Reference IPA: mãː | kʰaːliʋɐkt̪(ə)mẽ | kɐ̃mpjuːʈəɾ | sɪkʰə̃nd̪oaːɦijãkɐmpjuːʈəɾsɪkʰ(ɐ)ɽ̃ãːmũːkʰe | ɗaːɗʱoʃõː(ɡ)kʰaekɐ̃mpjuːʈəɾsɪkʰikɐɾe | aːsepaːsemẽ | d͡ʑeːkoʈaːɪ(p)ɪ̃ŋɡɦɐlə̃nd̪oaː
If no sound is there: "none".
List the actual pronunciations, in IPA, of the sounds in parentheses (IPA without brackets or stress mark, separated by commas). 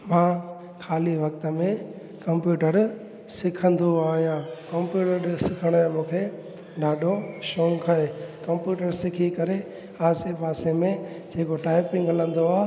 ə, ə, ŋ, p